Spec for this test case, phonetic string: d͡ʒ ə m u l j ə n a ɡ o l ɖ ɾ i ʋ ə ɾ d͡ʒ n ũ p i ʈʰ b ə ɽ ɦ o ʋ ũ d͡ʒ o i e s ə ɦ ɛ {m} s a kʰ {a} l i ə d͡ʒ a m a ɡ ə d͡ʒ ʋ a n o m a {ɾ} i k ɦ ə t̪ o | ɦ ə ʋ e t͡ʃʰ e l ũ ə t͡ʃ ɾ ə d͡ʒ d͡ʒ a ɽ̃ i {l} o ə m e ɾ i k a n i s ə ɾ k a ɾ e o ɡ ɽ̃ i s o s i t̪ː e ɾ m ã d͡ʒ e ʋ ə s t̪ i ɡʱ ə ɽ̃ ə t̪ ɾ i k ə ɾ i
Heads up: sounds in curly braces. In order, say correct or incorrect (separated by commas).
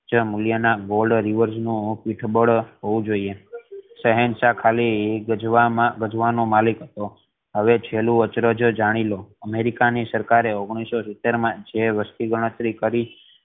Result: incorrect, correct, incorrect, correct